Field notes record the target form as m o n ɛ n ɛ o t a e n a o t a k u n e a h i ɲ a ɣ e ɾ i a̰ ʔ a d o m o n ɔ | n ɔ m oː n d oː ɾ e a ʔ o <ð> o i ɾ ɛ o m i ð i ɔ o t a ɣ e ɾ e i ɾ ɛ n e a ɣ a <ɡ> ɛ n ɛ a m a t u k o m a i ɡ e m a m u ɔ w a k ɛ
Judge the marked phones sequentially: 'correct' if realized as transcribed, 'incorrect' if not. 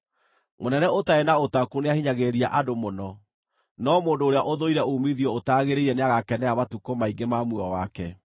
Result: correct, incorrect

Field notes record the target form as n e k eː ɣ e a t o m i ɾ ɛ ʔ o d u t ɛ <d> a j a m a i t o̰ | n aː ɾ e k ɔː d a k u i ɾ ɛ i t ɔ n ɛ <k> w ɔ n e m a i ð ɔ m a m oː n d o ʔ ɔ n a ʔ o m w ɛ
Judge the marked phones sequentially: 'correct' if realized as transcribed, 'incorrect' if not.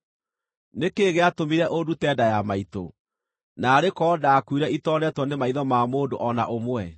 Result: correct, incorrect

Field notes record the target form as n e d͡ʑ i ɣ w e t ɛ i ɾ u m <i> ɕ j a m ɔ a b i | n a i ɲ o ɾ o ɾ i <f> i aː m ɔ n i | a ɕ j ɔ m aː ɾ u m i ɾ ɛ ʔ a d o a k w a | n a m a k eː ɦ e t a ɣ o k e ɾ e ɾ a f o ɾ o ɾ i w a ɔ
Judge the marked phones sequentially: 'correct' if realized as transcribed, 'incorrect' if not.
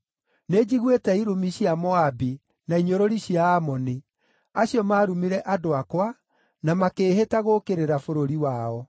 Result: correct, incorrect

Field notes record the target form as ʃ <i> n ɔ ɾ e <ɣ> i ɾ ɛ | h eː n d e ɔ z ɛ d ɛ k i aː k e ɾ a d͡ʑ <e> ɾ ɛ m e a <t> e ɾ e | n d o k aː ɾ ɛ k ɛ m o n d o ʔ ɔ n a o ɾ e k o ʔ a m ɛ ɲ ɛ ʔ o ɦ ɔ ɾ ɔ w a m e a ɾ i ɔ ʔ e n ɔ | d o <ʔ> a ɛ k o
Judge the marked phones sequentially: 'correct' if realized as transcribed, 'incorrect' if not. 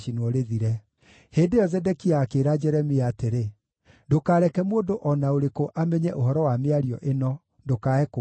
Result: correct, incorrect, incorrect, correct, incorrect

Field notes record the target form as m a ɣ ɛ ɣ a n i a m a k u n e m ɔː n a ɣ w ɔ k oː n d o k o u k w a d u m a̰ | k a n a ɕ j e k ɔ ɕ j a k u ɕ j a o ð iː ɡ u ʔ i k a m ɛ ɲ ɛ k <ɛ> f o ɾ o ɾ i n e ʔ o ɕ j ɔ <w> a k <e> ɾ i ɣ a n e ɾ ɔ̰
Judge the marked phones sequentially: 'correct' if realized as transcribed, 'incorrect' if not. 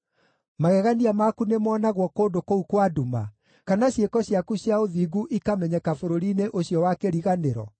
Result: incorrect, correct, correct

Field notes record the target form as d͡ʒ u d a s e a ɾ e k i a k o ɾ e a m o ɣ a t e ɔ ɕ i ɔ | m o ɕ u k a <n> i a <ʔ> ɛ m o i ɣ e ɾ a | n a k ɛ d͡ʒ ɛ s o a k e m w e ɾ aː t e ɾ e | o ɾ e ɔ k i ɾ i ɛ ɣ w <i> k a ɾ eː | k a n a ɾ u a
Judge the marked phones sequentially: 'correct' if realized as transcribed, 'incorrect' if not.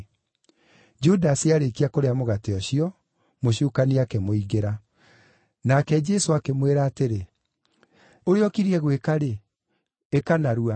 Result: correct, incorrect, incorrect

